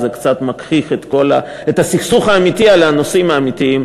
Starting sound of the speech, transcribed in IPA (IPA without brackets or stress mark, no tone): z